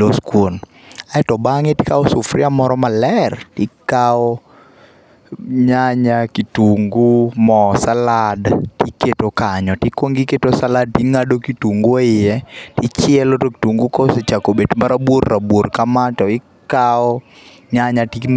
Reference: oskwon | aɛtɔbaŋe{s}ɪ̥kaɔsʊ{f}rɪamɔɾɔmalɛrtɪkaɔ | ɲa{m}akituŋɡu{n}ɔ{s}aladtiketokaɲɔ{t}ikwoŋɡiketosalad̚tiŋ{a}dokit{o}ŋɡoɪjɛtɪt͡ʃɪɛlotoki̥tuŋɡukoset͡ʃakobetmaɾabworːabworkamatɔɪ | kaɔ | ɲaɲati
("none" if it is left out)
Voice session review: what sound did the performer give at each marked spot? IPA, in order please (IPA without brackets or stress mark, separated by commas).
t, f, ɲ, m, s, t, a, u